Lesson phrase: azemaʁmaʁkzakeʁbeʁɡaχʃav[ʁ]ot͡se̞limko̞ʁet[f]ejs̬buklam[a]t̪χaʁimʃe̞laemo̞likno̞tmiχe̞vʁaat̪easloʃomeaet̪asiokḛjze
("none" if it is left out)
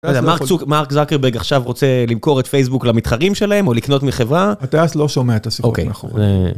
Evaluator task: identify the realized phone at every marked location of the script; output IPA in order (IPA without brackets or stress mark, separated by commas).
ʁ, f, i